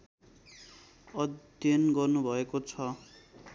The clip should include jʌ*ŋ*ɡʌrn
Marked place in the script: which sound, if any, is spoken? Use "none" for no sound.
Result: n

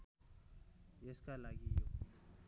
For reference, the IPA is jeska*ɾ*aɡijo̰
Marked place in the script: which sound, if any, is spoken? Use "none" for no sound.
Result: l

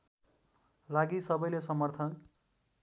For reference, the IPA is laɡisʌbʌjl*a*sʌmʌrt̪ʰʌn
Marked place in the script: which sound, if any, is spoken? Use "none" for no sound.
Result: e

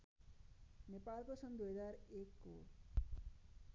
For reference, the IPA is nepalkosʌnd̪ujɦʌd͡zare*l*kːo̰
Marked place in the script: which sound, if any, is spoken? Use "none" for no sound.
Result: none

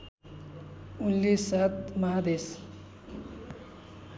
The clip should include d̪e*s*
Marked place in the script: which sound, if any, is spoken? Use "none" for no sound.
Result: s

